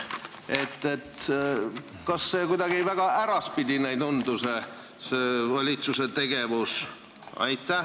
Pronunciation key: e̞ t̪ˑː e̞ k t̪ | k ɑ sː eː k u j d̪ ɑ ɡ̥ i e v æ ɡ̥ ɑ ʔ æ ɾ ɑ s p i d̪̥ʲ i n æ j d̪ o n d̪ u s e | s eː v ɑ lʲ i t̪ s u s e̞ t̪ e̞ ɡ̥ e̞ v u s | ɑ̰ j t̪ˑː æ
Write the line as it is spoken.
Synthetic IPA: e̞ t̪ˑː e̞ t̪ | k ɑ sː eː k u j d̪ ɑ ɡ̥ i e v æ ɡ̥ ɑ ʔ æ ɾ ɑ s p i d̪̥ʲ i n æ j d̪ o n d̪ u s e | s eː v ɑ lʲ i t̪ s u s e̞ t̪ e̞ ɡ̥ e̞ v u s | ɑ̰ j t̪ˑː æ